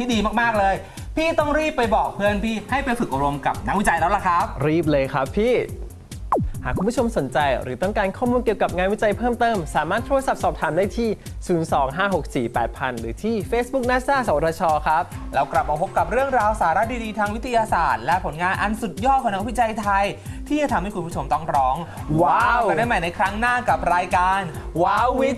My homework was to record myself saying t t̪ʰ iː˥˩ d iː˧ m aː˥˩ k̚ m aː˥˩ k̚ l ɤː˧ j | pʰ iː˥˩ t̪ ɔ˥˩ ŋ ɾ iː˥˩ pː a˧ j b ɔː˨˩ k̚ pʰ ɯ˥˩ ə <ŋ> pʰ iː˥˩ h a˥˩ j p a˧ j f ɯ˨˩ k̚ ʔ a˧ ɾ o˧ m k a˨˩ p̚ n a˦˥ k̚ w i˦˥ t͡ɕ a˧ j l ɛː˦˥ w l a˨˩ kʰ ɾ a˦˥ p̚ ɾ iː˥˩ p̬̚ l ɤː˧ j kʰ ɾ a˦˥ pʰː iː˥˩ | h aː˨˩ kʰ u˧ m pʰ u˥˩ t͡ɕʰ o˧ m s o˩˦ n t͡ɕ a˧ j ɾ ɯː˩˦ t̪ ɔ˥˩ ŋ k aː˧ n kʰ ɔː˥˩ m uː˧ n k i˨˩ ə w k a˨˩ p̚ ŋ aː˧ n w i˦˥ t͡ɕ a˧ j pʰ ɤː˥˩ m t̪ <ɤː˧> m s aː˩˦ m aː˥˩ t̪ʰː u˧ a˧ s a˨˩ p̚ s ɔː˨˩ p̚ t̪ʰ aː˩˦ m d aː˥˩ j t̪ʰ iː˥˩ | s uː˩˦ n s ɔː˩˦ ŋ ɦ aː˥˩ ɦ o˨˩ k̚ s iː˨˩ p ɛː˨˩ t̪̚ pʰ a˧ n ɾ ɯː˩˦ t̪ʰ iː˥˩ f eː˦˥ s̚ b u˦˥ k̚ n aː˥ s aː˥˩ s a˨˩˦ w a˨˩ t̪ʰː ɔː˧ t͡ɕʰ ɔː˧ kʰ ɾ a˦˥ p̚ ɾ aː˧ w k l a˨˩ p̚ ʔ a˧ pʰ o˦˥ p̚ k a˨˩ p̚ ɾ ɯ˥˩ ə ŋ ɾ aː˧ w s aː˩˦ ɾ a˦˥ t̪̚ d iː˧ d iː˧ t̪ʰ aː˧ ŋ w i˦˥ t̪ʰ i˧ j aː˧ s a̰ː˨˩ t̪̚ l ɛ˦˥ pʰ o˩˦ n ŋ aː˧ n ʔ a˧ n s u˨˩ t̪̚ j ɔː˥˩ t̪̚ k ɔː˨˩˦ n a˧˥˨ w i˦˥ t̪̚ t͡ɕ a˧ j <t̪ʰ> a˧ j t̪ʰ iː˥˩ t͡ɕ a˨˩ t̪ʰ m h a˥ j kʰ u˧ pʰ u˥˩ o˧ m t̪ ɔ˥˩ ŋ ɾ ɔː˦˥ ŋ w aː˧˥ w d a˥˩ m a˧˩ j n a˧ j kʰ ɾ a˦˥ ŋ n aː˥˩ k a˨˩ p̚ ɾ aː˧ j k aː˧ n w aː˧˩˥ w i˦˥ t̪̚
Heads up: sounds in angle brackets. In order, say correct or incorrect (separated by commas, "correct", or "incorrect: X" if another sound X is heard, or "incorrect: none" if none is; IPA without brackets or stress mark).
incorrect: n, incorrect: ɤː˥˩, correct